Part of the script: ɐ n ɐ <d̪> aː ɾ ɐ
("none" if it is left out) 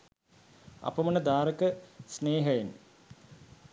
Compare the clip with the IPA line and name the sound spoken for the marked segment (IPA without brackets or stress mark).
d̪